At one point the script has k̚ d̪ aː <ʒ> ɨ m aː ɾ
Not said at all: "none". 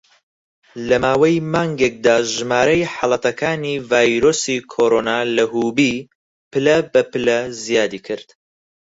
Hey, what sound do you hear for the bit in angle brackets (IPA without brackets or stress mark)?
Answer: ʒ